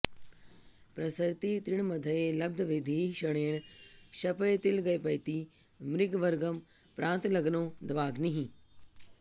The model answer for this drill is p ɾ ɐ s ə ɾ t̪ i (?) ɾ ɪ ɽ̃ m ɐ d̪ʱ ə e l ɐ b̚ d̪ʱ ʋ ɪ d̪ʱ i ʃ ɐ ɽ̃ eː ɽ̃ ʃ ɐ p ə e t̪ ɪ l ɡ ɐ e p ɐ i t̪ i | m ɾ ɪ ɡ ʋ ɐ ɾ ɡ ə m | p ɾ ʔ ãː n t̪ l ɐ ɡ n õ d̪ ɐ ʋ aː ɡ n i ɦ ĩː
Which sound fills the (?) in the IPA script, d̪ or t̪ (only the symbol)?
t̪